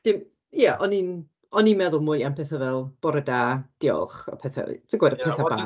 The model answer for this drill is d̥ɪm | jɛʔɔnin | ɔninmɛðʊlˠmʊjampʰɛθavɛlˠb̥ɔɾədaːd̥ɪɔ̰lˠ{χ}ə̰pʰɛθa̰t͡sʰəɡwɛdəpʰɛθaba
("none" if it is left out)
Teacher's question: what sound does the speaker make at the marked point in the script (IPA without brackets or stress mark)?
χ